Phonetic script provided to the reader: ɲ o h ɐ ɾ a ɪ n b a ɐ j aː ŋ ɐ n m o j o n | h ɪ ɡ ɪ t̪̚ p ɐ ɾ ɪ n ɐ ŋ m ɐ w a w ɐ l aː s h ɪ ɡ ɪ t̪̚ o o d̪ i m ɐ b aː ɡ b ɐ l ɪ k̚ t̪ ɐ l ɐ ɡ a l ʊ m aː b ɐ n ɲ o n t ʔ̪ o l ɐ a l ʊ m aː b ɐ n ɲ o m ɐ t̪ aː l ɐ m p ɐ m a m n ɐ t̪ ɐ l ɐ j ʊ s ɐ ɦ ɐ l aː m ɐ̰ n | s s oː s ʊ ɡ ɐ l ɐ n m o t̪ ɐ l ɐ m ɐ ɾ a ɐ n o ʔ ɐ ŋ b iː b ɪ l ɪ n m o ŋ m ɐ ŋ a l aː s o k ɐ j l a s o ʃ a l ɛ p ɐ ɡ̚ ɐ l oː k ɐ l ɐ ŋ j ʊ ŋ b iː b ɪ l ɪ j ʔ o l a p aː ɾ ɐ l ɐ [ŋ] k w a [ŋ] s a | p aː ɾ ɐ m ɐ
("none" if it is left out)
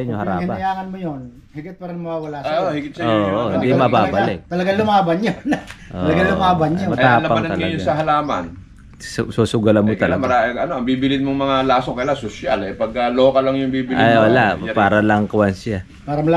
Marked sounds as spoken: ŋ, n

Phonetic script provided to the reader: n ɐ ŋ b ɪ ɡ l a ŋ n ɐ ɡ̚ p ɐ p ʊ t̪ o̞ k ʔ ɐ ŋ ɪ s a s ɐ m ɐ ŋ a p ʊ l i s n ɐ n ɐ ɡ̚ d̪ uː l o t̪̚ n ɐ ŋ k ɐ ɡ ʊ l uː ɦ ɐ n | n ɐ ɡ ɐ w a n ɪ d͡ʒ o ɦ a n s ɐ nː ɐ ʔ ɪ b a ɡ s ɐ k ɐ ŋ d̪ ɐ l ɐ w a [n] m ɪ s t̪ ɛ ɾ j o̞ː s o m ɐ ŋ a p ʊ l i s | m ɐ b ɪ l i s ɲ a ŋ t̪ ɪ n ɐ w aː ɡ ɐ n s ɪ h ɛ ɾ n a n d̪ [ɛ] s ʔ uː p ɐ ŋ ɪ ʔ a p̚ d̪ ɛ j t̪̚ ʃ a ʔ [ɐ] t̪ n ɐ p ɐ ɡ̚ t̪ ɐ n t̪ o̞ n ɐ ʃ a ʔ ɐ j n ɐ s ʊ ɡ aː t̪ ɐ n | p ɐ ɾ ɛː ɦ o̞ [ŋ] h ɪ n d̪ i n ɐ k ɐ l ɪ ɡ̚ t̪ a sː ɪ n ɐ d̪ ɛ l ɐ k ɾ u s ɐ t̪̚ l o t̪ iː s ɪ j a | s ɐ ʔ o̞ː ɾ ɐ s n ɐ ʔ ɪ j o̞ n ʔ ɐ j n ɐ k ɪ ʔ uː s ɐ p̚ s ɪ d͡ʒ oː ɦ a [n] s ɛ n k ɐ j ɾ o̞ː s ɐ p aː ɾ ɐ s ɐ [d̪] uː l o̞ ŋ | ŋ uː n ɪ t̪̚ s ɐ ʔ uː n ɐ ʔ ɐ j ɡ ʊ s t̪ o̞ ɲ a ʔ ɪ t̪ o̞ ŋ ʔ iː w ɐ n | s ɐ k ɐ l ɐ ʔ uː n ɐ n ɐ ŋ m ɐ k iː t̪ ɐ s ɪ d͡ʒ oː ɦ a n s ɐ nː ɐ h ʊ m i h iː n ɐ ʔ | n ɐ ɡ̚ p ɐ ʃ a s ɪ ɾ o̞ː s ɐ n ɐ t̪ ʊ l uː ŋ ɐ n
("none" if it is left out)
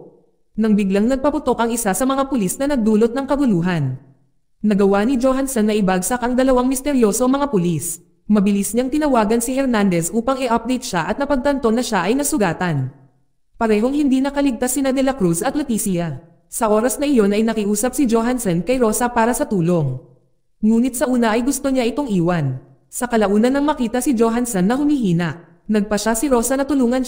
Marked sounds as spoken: ŋ, ɛ, ɐ, ŋ, n, t̪

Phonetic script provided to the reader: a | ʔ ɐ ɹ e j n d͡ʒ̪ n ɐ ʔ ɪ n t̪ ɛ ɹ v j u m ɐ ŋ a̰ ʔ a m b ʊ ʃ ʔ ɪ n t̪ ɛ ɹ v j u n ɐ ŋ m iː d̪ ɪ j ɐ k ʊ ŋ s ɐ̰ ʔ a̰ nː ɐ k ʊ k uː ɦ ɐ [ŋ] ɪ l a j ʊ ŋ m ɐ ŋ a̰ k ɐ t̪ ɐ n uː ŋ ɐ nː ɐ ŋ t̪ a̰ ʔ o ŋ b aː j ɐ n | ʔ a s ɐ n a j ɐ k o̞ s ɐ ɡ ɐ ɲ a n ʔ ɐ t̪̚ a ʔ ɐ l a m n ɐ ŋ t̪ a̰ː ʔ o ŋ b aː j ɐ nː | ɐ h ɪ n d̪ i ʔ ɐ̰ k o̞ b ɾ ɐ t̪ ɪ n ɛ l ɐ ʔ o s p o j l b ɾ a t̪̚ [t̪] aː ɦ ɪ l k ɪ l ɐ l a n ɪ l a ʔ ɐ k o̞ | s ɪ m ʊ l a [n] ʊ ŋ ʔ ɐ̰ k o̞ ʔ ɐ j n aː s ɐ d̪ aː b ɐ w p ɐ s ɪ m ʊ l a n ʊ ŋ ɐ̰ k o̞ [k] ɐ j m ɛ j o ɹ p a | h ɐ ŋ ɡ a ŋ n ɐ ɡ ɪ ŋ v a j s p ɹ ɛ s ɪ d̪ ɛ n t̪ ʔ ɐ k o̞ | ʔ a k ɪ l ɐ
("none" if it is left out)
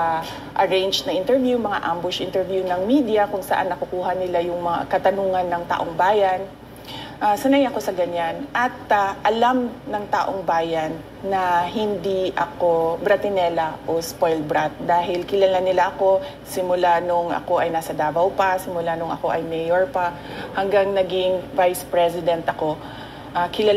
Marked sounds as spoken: n, d̪, n, ʔ

